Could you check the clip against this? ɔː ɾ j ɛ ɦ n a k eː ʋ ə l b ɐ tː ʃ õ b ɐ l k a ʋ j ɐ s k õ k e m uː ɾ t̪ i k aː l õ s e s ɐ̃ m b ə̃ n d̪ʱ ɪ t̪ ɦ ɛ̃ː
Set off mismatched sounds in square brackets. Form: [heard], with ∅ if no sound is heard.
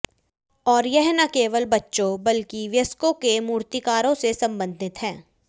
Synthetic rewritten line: ɔː ɾ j ɛ ɦ n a k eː ʋ ə l b ɐ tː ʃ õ b ɐ l k [i] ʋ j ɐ s k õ k e m uː ɾ t̪ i k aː [ɾ] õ s e s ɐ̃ m b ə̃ n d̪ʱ ɪ t̪ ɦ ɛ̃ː